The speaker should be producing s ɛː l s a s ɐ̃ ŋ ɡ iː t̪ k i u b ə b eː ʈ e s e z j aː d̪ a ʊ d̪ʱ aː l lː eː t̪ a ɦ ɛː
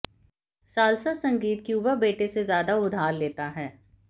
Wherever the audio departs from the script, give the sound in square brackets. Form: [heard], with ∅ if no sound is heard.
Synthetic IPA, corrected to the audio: s [aː] l s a s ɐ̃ ŋ ɡ iː t̪ k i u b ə b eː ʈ e s e z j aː d̪ a ʊ d̪ʱ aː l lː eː t̪ a ɦ ɛː